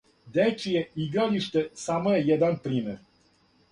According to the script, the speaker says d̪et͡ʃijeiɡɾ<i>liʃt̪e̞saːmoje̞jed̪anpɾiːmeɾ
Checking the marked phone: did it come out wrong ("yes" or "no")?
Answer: yes